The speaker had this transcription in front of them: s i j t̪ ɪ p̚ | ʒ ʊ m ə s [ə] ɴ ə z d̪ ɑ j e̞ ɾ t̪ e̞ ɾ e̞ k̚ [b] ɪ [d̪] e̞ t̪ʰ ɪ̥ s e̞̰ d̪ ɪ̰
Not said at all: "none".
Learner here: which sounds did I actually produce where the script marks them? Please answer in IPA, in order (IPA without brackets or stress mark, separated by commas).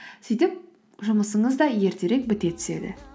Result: ə, b, t̪